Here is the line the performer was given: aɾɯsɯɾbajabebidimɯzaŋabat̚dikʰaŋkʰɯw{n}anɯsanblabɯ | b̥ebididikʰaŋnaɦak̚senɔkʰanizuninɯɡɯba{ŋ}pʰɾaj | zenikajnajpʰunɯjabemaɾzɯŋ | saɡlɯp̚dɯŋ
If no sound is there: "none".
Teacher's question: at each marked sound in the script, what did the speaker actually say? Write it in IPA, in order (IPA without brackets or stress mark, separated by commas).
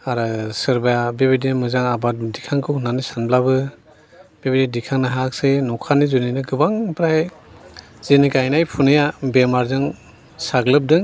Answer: n, ŋ